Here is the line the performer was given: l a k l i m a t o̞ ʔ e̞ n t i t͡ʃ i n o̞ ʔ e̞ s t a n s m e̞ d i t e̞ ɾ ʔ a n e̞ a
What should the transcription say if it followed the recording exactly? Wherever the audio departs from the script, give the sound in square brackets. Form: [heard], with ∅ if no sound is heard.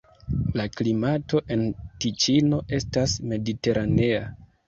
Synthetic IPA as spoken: l a k l i m a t o̞ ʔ e̞ n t i t͡ʃ i n o̞ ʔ e̞ s t a [∅] s m e̞ d i t e̞ ɾ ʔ a n e̞ a